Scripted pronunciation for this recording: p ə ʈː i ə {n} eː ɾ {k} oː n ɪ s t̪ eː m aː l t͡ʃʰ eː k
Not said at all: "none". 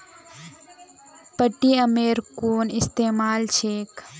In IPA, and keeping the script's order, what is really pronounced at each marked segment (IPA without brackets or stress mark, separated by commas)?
m, k